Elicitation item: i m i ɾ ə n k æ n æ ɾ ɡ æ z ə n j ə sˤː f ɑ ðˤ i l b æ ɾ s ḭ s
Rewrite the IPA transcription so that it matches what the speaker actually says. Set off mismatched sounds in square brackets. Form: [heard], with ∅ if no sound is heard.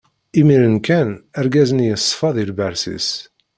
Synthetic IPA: i m i ɾ ə n k æ n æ ɾ ɡ æ z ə n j ə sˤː f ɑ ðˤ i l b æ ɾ s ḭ s